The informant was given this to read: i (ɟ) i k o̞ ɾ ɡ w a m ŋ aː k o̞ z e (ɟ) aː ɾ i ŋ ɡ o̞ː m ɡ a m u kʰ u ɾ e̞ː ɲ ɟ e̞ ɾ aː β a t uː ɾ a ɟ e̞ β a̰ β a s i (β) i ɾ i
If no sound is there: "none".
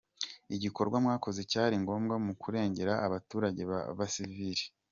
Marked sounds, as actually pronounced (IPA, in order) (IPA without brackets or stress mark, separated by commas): ɟ, c, v